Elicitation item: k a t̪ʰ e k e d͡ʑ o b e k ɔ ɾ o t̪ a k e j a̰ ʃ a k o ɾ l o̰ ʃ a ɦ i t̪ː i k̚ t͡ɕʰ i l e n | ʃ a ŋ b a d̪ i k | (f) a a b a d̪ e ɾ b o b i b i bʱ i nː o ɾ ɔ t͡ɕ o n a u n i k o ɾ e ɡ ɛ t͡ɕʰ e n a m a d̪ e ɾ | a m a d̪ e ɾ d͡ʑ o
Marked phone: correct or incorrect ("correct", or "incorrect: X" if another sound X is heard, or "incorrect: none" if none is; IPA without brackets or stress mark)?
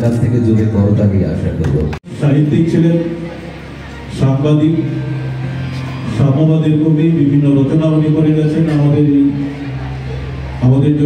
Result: incorrect: ʃ